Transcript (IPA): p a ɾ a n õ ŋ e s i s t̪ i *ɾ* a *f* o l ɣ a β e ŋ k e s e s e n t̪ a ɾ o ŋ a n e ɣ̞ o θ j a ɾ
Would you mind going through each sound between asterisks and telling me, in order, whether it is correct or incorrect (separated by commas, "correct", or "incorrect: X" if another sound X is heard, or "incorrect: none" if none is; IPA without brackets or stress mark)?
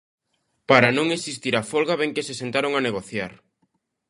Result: correct, correct